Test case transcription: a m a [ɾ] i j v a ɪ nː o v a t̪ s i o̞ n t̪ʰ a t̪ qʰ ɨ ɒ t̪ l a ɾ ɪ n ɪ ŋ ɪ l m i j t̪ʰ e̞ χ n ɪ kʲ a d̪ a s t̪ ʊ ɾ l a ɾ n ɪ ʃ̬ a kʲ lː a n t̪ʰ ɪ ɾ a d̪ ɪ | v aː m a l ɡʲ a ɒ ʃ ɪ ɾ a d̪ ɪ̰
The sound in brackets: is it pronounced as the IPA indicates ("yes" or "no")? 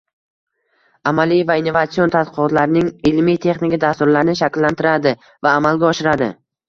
no